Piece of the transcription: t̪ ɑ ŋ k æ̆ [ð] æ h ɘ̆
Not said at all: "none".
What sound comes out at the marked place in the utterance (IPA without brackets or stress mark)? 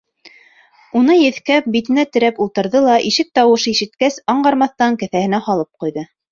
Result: θ